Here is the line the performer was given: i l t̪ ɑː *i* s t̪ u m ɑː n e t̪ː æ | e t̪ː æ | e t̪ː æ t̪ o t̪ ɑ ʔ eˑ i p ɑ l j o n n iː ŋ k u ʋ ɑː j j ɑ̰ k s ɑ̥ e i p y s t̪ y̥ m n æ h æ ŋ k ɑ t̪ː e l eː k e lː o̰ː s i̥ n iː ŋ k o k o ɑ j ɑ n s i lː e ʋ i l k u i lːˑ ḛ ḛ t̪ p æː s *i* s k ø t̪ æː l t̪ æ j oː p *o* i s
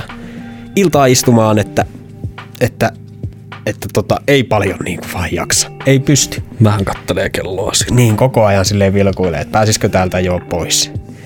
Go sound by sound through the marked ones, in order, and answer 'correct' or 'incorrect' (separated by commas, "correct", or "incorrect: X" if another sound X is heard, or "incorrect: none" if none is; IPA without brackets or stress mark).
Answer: correct, correct, correct